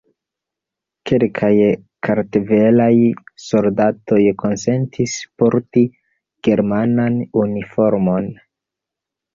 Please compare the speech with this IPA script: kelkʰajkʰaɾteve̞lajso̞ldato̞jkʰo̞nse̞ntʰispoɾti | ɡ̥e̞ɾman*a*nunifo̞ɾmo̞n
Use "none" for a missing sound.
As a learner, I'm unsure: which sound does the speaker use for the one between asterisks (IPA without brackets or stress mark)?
a